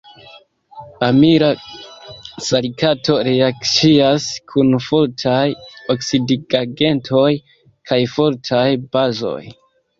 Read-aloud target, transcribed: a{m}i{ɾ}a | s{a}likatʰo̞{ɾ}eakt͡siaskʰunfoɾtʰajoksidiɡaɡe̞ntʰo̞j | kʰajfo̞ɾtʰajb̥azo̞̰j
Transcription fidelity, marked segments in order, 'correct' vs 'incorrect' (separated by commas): correct, correct, correct, correct